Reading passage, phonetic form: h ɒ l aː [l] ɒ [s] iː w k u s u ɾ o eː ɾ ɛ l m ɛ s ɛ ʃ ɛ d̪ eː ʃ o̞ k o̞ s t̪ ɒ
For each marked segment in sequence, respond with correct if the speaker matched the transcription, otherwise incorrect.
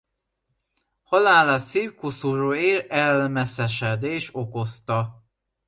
correct, correct

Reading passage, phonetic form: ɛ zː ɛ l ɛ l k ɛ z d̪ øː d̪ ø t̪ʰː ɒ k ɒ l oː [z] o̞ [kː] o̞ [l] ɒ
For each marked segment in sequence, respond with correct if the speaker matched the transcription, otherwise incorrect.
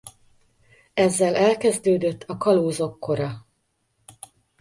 correct, correct, incorrect: ɾ

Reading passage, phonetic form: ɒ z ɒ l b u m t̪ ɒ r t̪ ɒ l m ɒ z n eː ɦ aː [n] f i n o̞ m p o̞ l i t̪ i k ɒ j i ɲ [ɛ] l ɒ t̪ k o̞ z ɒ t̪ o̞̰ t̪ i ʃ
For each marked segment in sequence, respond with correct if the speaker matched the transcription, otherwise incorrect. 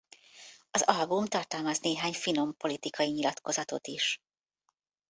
incorrect: ɲ, incorrect: i

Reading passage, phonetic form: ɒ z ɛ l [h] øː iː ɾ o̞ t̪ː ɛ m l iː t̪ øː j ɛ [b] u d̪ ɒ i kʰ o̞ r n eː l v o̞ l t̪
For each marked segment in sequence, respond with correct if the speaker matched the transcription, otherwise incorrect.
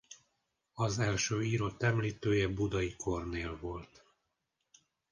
incorrect: ʃ, correct

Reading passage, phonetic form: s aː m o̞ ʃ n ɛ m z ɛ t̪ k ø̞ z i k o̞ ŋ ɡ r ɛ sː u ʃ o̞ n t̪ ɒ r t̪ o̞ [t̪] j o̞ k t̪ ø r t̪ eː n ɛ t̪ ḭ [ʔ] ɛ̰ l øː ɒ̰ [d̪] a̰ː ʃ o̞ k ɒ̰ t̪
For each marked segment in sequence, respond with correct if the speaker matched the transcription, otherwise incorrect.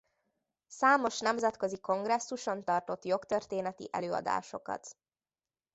correct, correct, correct

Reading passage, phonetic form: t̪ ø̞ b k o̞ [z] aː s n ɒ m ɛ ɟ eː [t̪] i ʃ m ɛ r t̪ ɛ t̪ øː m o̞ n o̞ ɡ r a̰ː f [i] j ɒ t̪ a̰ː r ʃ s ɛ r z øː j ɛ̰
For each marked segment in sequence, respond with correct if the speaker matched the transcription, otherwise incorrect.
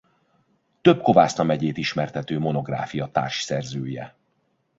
incorrect: v, correct, correct

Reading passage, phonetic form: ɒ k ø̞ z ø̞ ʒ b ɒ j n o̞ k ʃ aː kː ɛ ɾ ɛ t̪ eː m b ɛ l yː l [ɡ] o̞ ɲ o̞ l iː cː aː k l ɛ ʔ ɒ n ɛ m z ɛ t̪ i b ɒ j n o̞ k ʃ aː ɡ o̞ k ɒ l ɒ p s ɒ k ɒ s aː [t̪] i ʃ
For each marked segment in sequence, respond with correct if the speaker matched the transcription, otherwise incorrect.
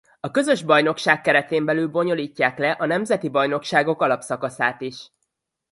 incorrect: b, correct

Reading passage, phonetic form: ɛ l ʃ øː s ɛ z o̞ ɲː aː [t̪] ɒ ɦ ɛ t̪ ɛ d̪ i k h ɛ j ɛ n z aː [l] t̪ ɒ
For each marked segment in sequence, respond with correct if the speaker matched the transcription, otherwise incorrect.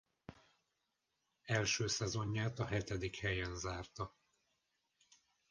correct, incorrect: r

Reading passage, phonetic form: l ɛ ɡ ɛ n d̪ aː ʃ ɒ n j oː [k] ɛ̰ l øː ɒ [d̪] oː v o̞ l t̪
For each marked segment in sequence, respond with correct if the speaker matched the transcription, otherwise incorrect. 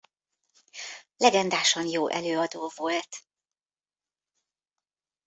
incorrect: ʔ, correct

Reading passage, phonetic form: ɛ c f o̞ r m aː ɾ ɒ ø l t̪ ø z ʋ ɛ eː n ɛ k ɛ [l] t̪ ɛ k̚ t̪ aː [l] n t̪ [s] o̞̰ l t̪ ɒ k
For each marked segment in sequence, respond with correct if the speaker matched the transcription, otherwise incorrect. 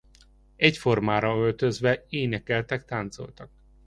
correct, incorrect: none, correct

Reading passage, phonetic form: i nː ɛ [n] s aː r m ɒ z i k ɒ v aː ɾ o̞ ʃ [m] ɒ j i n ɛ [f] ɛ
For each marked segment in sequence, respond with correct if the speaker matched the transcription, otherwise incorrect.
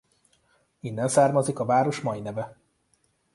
correct, correct, incorrect: v

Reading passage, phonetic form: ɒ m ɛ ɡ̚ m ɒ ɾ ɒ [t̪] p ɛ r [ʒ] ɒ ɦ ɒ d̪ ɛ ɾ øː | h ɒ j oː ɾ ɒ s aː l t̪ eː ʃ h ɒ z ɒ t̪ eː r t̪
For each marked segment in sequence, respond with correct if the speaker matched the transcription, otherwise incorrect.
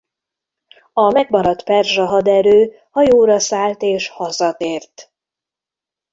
correct, correct

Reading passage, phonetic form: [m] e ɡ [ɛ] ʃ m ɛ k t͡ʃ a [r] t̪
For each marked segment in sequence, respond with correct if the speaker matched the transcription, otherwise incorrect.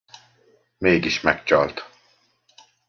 correct, incorrect: i, incorrect: l

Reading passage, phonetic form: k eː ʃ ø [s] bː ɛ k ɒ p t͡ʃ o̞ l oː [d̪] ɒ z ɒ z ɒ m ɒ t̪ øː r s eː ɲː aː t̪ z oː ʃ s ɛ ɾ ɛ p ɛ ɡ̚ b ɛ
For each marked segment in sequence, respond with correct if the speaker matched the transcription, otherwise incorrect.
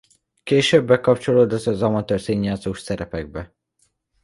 incorrect: none, correct

